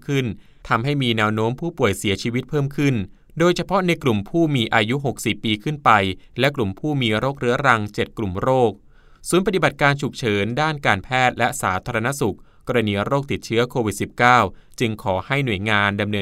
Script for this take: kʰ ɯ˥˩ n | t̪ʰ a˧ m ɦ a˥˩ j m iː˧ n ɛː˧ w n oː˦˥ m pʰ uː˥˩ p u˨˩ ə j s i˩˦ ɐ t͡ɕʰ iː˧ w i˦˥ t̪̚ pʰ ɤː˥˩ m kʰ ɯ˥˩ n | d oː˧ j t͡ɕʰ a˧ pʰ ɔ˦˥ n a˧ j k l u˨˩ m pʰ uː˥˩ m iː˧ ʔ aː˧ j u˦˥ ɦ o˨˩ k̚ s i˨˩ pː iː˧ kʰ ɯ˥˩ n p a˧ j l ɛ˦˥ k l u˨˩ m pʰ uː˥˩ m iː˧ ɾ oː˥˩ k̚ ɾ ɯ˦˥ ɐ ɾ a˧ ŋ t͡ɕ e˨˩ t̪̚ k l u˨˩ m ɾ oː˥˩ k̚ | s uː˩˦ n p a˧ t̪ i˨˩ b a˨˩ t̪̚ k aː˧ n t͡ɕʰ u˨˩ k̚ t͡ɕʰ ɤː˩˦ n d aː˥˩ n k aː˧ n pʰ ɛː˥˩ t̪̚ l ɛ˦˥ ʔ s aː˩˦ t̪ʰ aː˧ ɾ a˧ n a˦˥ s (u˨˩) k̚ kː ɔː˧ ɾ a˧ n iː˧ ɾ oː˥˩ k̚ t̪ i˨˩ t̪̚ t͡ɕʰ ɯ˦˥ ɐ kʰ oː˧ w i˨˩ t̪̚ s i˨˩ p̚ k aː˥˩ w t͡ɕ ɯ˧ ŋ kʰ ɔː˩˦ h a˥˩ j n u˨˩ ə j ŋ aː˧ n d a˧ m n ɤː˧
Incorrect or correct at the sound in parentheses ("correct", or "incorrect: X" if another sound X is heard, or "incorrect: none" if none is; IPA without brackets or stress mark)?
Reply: correct